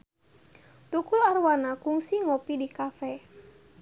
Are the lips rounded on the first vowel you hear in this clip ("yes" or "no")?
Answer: yes